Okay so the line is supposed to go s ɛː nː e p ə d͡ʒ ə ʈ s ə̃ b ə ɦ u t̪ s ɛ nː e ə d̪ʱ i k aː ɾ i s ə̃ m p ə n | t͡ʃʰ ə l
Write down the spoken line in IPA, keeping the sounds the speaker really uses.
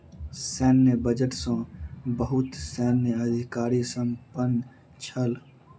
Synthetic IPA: s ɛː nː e b ə d͡ʒ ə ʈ s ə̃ b ə ɦ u t̪ s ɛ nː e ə d̪ʱ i k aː ɾ i s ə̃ m p ə n | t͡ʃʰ ə l